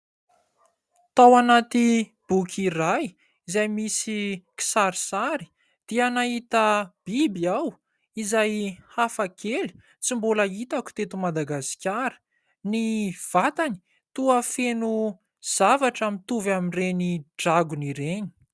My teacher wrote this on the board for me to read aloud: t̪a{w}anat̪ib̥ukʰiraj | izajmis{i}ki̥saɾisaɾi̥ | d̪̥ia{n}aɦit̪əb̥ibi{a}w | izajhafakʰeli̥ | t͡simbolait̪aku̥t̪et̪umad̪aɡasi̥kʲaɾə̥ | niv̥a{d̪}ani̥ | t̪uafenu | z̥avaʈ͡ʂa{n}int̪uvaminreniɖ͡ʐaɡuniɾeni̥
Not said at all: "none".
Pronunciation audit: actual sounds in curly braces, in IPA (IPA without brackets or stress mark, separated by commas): w, i, n, a, t̪, m